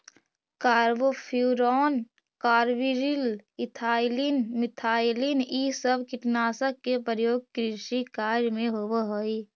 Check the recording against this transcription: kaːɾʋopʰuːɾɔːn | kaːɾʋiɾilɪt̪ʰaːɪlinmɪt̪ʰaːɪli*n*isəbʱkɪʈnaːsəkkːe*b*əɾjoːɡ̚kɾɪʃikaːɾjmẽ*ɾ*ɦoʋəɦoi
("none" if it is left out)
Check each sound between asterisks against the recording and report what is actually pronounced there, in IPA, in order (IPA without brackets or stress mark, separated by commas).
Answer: n, p, none